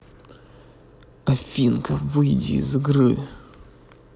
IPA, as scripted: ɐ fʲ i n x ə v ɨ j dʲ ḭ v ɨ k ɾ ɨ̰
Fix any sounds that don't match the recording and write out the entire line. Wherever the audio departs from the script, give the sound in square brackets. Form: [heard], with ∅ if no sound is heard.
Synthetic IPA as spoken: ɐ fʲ i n [k] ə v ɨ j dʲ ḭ [z] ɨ [ɡ] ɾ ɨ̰